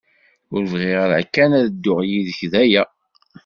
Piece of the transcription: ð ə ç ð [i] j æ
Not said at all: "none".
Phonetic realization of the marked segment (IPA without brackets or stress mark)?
æ